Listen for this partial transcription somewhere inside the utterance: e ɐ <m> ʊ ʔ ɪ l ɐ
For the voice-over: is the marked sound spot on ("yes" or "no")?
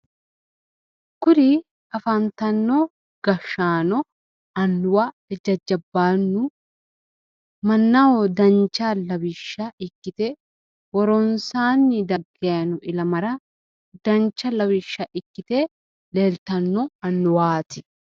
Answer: no